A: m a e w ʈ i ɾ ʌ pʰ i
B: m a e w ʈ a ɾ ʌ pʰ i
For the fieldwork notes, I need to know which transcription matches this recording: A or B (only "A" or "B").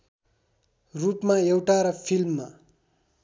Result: B